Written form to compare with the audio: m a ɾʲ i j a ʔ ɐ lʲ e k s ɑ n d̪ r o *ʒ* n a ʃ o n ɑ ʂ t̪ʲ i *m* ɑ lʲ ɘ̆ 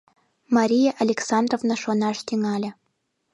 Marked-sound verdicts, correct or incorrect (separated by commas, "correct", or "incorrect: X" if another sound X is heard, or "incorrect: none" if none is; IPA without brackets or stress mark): incorrect: v, incorrect: ŋ